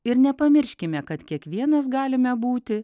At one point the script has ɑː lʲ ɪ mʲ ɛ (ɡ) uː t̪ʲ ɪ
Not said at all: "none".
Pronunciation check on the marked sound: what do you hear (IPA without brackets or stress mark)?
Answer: b